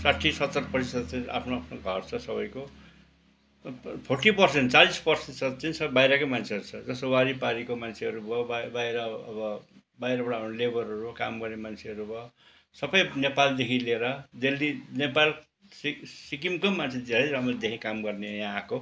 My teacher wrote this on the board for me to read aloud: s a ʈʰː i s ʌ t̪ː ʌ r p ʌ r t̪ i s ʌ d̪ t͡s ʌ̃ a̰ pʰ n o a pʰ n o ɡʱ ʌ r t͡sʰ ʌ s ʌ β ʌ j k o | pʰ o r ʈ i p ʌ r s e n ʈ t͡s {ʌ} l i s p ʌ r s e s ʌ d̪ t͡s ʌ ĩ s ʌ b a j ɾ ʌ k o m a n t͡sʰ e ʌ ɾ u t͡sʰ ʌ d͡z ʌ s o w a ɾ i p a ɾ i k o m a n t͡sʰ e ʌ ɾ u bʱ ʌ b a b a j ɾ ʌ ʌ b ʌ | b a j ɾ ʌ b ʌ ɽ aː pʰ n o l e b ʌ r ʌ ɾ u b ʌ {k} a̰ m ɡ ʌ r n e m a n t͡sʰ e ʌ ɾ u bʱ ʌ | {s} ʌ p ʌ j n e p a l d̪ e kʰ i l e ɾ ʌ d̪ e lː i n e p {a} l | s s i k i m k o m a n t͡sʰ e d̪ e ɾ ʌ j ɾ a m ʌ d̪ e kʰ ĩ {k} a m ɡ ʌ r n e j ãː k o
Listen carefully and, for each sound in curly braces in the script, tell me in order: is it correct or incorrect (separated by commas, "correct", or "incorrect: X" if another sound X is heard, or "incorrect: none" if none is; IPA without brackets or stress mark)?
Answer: incorrect: a, correct, correct, correct, correct